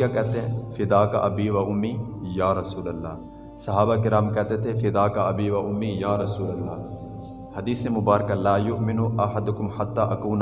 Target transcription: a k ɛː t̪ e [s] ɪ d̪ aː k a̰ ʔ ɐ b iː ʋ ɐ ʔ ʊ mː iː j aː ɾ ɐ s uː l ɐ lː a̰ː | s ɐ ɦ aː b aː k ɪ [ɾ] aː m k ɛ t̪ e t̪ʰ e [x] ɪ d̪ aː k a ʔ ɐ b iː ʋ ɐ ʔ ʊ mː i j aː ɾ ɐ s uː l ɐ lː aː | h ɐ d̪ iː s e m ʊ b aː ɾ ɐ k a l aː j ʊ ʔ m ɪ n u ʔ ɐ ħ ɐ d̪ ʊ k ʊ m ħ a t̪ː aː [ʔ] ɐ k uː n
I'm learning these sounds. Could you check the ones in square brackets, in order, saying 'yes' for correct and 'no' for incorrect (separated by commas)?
no, yes, no, yes